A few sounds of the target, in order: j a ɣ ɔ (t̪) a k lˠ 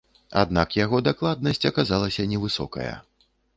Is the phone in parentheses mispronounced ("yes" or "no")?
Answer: yes